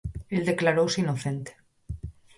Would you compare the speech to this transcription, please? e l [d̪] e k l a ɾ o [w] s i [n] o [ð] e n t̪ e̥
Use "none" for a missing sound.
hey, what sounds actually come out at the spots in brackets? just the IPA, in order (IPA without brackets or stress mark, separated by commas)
d̪, w, n, θ